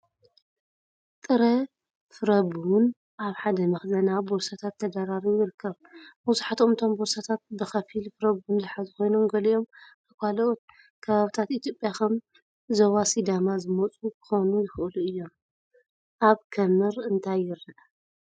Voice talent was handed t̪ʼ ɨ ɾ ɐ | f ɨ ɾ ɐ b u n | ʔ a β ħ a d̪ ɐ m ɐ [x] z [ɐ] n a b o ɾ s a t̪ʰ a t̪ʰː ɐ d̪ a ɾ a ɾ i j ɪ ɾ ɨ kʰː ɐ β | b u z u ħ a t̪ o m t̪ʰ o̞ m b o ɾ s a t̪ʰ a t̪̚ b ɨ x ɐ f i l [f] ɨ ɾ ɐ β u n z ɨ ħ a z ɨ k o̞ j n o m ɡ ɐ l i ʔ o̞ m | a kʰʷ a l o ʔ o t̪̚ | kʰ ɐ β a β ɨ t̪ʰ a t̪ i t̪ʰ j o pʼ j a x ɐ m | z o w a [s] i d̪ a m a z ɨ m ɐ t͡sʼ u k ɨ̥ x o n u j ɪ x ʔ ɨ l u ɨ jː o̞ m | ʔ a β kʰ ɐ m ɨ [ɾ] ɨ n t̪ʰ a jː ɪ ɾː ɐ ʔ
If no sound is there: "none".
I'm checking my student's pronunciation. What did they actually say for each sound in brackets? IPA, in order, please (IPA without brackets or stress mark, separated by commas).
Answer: x, ɐ, f, s, ɾ